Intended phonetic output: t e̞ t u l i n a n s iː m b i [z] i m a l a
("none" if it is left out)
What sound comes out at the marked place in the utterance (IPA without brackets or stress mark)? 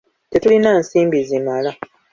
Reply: z